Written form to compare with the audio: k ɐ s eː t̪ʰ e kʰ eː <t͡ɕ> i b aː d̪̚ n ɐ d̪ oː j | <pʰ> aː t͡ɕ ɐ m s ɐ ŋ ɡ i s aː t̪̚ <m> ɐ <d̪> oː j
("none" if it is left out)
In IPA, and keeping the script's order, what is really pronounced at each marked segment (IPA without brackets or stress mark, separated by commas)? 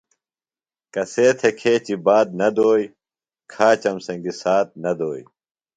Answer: t͡ɕ, kʰ, n, d̪